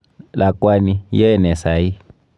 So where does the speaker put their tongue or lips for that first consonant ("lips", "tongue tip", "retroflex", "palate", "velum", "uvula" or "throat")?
tongue tip